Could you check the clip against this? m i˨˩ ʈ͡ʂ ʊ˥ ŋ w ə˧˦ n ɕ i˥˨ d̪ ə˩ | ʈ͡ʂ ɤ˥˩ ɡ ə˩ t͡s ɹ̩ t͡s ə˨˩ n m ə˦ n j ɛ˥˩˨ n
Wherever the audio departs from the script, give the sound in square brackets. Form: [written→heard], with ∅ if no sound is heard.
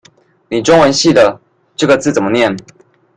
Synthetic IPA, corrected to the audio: [m→n] i˨˩ ʈ͡ʂ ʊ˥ ŋ w ə˧˦ n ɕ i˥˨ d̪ ə˩ | ʈ͡ʂ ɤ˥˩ ɡ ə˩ t͡s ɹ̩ t͡s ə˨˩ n m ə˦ n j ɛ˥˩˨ n